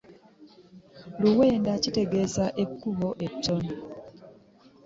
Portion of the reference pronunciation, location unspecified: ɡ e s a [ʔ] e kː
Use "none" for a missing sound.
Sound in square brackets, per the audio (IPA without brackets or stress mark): ʔ